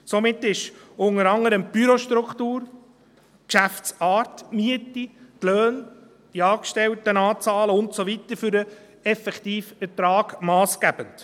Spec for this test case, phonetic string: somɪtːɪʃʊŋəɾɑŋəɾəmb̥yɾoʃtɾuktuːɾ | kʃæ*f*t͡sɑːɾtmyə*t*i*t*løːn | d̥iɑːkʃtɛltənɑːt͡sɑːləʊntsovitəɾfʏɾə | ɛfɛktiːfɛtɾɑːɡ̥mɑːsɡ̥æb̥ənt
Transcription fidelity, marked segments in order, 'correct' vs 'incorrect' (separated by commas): correct, correct, correct